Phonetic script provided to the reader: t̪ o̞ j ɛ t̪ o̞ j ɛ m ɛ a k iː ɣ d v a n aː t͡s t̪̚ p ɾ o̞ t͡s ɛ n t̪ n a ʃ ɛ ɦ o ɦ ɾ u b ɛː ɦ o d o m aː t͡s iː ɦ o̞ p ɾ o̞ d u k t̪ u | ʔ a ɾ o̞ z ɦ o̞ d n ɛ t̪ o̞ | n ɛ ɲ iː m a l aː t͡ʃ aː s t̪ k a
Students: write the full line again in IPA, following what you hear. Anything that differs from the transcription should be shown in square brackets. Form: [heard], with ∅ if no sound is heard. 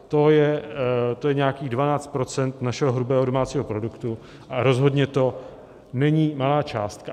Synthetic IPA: t̪ o̞ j ɛ t̪ o̞ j ɛ [ɲ] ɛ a k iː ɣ d v a n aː t͡s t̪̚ p ɾ o̞ t͡s ɛ n t̪ n a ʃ ɛ ɦ o ɦ ɾ u b ɛː ɦ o d o m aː t͡s iː ɦ o̞ p ɾ o̞ d u k t̪ u | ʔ a ɾ o̞ z ɦ o̞ d [ɲ] ɛ t̪ o̞ | n ɛ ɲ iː m a l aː t͡ʃ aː s t̪ k a